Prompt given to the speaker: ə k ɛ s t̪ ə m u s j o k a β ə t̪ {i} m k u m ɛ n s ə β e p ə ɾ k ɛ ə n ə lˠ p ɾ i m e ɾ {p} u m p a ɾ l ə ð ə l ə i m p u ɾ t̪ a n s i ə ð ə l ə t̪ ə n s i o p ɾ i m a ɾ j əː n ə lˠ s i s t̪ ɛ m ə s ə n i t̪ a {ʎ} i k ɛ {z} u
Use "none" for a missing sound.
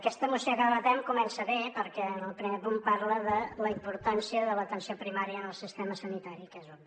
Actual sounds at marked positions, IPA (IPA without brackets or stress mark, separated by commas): ɛ, p, ɾ, z